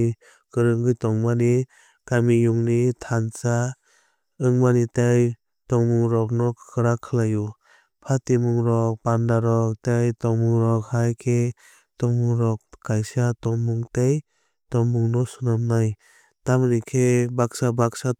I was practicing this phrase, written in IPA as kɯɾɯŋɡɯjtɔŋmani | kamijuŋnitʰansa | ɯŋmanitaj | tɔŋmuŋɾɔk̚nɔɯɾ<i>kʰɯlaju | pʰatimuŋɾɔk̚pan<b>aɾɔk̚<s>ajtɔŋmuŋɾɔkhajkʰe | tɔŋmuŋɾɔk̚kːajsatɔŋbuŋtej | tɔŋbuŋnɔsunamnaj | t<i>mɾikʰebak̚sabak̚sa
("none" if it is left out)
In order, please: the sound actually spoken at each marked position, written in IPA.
a, d, t, a

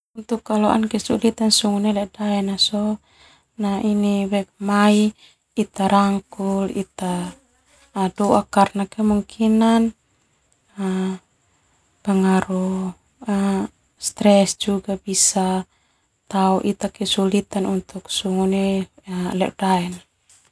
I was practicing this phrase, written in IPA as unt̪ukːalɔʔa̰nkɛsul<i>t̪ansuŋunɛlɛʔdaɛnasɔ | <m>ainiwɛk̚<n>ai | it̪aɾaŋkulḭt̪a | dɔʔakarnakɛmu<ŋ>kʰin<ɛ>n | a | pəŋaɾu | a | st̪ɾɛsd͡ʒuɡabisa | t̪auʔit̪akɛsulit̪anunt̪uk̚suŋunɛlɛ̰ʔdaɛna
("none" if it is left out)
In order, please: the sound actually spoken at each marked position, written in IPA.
i, n, m, ŋ, a

